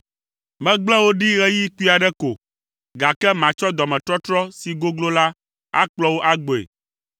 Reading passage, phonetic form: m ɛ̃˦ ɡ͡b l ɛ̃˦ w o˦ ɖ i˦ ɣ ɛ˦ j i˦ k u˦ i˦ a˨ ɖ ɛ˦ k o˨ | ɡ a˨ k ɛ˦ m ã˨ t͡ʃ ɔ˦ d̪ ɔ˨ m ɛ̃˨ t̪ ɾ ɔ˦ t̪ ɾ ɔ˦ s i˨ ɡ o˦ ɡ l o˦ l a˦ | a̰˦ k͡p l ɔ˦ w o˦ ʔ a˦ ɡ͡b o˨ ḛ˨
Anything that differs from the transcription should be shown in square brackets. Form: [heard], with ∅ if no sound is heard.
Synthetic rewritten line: m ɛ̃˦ ɡ͡b l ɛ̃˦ w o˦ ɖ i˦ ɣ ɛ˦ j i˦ k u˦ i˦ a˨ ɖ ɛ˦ k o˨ | ɡ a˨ k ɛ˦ m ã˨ t͡ʃ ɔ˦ d̪ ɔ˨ m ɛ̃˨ t̪ ɾ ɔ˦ t̪ ɾ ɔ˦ s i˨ ɡ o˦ ɡ l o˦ l a˦ | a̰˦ k͡p l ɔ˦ w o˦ ʔ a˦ ɡ͡b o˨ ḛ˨